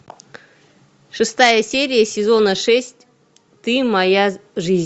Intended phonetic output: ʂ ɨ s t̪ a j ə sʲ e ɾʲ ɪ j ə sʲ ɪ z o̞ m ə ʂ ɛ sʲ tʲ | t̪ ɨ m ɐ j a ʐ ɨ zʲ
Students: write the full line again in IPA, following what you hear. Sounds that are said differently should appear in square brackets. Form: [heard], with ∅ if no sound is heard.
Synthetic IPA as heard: ʂ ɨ s t̪ a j ə sʲ e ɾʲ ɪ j ə sʲ ɪ z o̞ [n] ə ʂ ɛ sʲ tʲ | t̪ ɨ m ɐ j a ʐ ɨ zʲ